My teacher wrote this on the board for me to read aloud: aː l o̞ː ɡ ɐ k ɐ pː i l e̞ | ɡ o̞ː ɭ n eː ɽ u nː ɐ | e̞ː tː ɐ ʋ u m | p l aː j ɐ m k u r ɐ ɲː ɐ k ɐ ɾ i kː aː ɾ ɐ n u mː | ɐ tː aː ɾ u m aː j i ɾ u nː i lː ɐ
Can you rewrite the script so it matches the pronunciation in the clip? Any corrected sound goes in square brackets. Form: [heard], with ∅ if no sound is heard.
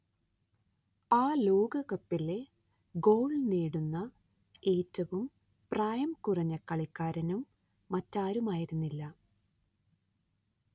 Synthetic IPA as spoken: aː l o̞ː ɡ ɐ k ɐ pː i l e̞ | ɡ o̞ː ɭ n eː ɽ u nː ɐ | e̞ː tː ɐ ʋ u m | p [r] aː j ɐ m k u r ɐ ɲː ɐ k ɐ [ɭ] i kː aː ɾ ɐ n u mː | ɐ tː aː ɾ u m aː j i ɾ u nː i lː ɐ